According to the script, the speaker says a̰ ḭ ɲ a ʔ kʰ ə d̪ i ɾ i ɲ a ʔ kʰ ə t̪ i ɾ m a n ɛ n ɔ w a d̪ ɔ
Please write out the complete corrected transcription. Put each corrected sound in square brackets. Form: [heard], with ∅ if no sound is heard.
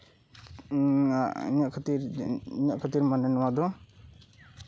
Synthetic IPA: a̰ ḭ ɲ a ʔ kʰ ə [t̪] i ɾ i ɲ a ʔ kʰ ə t̪ i ɾ m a n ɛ n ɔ w a d̪ ɔ